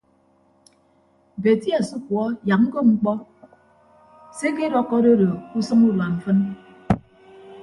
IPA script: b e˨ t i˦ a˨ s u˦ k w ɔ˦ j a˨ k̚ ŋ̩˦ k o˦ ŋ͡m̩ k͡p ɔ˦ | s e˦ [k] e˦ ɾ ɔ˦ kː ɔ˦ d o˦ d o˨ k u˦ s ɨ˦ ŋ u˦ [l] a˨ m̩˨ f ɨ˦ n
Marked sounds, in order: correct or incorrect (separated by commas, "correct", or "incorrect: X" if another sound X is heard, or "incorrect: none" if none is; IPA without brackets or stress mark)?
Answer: correct, correct